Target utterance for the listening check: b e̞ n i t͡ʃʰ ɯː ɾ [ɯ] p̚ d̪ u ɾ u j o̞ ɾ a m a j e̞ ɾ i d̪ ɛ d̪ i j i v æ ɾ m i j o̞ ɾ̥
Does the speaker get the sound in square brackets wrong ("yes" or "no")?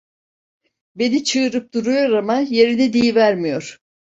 no